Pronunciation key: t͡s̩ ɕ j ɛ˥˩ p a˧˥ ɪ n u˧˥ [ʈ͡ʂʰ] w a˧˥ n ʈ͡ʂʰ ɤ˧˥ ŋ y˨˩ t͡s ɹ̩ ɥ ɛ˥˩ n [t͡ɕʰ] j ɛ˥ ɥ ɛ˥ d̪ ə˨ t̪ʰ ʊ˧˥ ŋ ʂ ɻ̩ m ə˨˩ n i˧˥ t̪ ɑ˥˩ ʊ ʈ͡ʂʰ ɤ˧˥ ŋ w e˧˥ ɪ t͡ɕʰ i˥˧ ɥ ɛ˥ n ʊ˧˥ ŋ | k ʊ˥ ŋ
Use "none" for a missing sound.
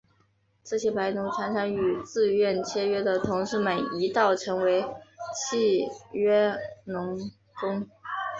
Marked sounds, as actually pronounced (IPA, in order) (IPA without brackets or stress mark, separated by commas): ʈ͡ʂʰ, t͡ɕʰ